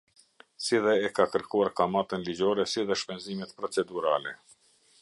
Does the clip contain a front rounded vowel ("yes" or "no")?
no